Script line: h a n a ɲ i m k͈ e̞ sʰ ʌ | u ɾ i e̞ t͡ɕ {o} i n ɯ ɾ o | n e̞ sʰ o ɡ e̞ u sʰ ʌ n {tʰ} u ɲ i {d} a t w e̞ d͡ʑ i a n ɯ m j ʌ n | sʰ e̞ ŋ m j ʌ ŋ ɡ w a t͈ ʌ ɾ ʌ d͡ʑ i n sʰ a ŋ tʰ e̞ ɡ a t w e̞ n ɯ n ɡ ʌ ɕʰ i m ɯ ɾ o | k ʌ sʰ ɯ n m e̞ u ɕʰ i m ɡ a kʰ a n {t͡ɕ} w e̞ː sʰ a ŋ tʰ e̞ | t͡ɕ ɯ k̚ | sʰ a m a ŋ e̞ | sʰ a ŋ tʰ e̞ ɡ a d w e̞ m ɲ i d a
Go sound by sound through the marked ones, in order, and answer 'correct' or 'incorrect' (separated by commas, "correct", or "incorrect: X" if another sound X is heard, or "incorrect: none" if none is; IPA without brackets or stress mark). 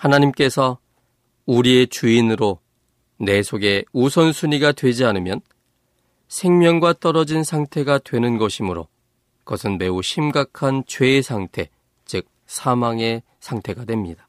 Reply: incorrect: u, incorrect: sʰ, incorrect: ɡ, correct